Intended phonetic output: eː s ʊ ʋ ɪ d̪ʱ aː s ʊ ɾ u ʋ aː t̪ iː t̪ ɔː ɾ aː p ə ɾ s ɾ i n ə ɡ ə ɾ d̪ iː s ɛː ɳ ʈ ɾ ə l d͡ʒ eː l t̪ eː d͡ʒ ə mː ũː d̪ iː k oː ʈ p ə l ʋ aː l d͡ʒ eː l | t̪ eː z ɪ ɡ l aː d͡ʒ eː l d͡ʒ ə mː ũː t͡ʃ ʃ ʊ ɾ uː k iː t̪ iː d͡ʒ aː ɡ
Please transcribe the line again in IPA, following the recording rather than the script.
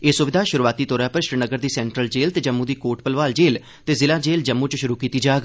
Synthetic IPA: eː s ʊ ʋ ɪ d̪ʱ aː ʃ ʊ ɾ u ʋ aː t̪ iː t̪ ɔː ɾ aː p ə ɾ ʃ ɾ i n ə ɡ ə ɾ d̪ iː s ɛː ɳ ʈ ɾ ə l d͡ʒ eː l t̪ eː d͡ʒ ə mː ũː d̪ iː k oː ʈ p ə l ʋ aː l d͡ʒ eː l | t̪ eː z ɪ l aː d͡ʒ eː l d͡ʒ ə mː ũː t͡ʃ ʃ ʊ ɾ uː k iː t̪ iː d͡ʒ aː ɡ